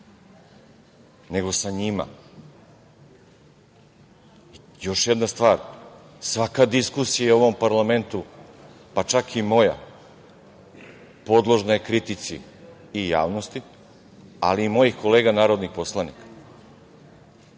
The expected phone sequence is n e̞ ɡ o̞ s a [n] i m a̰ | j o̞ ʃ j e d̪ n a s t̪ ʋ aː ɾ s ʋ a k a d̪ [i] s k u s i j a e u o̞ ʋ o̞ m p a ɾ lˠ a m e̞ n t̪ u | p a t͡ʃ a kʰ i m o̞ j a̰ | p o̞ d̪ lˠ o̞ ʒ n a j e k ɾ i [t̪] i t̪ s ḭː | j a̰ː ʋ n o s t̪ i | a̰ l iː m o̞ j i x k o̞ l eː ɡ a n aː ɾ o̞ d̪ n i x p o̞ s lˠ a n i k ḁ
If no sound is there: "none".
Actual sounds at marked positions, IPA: ɲ, i, t̪

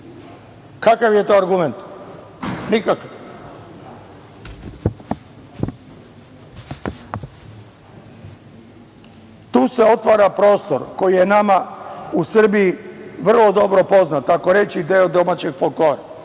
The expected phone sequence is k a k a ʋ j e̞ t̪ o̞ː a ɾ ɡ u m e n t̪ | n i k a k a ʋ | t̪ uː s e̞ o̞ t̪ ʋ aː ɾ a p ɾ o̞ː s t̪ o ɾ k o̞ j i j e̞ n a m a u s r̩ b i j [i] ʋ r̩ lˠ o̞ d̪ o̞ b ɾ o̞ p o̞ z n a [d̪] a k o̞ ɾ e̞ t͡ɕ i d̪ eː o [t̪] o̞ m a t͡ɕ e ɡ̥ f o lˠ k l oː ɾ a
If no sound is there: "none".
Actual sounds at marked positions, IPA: i, t̪, d̪

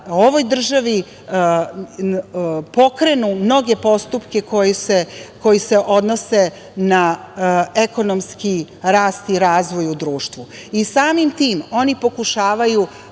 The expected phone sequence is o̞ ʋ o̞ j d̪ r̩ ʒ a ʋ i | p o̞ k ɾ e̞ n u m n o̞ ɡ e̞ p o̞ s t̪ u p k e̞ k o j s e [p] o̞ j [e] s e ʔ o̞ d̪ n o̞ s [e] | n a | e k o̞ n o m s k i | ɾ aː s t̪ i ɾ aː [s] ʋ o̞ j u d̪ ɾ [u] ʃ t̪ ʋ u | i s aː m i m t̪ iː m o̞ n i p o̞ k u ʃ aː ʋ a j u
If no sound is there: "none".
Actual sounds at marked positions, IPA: k, i, e, z, uː

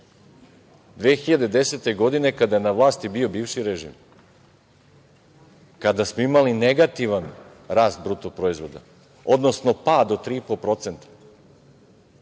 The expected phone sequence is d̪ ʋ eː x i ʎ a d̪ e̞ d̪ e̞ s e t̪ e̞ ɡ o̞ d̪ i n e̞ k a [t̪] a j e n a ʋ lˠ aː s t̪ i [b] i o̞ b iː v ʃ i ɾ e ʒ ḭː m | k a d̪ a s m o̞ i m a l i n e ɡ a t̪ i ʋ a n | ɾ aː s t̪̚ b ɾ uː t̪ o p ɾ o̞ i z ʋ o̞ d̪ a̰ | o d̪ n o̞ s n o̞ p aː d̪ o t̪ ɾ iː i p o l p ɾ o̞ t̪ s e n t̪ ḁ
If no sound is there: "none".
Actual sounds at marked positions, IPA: d̪, b

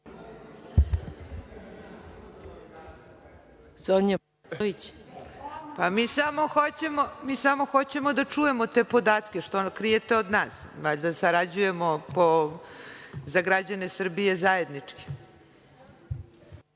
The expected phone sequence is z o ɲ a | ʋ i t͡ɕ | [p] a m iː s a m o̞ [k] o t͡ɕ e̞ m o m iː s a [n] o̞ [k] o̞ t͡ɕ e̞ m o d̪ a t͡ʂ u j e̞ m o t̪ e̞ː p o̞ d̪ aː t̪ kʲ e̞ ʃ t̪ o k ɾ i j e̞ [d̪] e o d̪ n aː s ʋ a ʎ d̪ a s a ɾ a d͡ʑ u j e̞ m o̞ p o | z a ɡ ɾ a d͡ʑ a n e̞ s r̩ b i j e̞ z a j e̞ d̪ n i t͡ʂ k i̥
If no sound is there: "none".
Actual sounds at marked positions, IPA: p, x, m, x, t̪

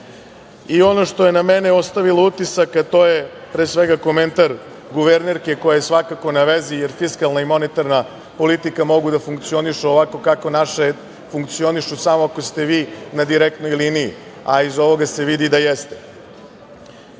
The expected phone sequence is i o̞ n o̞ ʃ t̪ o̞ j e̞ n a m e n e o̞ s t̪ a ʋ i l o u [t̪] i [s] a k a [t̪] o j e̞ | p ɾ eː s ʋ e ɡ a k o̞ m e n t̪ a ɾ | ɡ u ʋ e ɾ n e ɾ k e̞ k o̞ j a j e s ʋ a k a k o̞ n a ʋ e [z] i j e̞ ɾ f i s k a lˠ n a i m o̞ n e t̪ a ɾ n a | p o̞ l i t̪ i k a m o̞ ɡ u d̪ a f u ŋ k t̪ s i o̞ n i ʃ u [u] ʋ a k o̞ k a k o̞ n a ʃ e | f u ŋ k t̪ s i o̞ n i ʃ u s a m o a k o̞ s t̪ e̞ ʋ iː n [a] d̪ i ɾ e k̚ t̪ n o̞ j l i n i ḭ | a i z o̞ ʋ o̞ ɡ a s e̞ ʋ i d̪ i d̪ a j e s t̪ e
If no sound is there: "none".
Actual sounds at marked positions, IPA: t̪, s, t̪, z, o, a

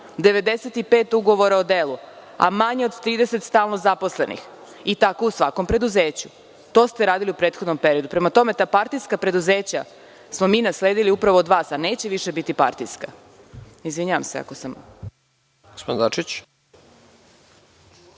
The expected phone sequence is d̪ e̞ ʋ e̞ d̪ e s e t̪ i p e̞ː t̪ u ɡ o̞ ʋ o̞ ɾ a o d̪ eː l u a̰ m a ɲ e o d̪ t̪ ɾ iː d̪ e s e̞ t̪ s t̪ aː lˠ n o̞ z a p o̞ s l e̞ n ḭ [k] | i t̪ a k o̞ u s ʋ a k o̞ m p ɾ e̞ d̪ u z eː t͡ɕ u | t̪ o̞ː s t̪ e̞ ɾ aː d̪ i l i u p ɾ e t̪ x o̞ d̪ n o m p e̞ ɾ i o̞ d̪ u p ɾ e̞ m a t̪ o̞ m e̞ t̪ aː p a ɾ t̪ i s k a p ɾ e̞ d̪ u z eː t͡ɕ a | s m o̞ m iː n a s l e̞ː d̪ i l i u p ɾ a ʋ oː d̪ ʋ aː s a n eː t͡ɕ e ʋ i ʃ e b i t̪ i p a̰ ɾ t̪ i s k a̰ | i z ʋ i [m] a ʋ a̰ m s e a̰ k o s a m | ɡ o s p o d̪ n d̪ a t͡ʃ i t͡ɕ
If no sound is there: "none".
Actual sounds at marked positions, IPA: x, ɲ

